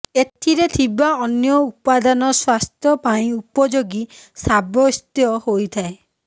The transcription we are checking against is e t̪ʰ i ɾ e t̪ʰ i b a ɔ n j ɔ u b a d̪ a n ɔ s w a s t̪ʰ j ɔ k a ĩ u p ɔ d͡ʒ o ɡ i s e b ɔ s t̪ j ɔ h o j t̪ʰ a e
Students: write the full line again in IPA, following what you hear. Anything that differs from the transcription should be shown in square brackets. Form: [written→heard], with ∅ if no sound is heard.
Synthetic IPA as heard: e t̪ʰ i ɾ e t̪ʰ i b a ɔ n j ɔ u [b→p] a d̪ a n ɔ s w a s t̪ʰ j ɔ [k→p] a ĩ u p ɔ d͡ʒ o ɡ i s [e→a] b ɔ s t̪ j ɔ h o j t̪ʰ a e